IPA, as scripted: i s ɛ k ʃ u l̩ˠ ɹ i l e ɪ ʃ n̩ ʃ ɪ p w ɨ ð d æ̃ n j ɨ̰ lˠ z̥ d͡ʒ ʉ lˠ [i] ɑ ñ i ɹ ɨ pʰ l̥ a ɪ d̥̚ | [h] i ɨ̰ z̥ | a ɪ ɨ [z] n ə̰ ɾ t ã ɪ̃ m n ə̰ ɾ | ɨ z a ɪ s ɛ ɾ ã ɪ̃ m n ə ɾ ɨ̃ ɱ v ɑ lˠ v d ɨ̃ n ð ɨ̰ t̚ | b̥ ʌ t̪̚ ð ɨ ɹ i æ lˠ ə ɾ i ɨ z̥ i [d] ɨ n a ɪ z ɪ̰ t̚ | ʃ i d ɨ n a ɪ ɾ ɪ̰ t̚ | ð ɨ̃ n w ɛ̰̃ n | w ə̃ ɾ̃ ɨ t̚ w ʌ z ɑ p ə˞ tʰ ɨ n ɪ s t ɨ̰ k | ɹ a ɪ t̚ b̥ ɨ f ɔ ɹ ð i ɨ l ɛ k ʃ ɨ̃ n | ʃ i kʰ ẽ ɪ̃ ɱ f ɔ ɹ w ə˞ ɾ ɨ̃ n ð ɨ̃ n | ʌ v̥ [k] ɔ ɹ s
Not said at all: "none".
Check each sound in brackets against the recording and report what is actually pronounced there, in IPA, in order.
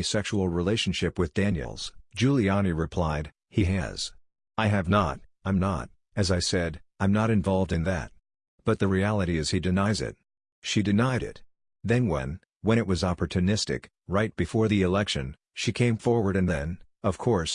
i, h, v, d, kʰ

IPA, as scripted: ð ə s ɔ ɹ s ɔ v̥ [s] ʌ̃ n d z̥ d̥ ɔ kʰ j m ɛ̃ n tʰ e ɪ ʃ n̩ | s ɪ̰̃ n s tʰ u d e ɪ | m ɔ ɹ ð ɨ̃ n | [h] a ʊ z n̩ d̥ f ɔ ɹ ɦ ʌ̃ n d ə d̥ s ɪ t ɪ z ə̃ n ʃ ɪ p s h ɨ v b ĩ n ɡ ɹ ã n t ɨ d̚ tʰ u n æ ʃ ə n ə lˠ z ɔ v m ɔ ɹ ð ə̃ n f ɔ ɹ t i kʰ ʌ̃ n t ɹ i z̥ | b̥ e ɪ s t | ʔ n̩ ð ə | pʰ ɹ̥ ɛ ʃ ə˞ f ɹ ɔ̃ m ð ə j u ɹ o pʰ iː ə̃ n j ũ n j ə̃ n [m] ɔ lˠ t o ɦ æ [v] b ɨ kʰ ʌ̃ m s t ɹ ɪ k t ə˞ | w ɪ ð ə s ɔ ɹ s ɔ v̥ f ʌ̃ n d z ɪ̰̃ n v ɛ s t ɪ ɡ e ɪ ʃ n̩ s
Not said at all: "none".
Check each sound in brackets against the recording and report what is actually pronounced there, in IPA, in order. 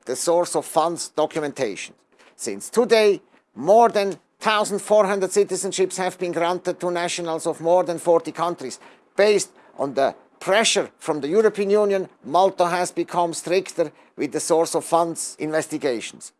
f, θ, m, z

